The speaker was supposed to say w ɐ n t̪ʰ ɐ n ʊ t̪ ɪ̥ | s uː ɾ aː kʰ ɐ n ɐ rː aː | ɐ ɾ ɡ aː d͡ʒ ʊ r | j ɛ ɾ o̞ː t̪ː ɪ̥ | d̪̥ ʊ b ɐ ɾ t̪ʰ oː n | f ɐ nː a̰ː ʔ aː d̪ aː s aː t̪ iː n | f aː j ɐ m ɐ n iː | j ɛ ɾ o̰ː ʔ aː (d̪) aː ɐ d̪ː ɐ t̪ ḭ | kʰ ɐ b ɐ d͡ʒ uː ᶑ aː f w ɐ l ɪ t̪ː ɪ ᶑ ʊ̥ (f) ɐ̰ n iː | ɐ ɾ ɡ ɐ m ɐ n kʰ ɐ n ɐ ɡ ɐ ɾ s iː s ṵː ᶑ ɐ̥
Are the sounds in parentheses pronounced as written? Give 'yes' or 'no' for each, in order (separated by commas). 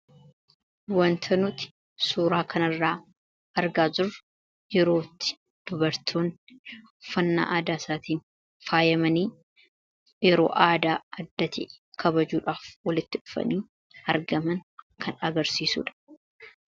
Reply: yes, yes